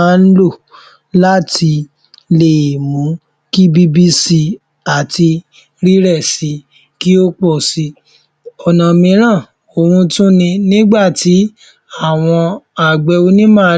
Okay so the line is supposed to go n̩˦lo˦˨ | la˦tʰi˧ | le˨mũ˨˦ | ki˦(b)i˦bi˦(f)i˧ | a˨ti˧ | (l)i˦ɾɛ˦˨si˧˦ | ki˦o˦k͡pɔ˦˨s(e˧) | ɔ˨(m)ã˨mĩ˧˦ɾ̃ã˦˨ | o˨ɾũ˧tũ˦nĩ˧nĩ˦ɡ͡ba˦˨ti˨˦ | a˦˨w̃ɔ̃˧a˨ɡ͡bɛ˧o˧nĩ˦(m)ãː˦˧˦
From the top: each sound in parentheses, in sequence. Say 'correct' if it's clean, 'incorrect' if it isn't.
correct, incorrect: s, incorrect: ɾ, incorrect: i˧, incorrect: n, correct

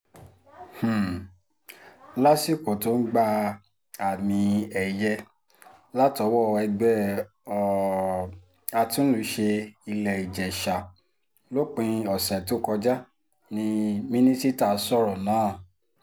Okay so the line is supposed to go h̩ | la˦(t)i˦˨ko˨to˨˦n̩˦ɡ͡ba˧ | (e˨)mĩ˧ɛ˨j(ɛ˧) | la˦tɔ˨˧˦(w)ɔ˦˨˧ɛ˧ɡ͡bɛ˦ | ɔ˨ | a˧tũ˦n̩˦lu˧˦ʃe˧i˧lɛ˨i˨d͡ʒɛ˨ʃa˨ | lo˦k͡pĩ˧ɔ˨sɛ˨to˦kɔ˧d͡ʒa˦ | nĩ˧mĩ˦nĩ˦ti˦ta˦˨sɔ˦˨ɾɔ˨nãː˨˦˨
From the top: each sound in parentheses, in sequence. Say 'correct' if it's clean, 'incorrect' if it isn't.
incorrect: s, incorrect: a˨, correct, correct

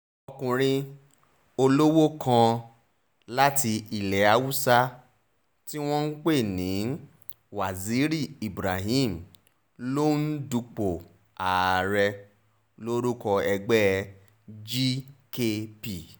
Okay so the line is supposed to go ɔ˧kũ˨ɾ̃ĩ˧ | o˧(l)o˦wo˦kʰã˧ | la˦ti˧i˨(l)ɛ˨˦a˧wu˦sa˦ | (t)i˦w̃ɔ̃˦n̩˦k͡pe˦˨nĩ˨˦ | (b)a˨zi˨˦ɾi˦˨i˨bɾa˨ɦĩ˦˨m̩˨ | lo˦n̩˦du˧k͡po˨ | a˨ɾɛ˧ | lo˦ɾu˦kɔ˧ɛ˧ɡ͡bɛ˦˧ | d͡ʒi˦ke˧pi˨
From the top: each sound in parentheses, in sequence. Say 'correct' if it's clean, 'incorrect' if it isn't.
correct, correct, correct, incorrect: w

